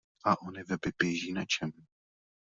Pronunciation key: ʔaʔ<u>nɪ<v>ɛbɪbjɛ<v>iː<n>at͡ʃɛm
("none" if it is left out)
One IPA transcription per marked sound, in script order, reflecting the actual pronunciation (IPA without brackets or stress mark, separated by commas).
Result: o, v, ʒ, n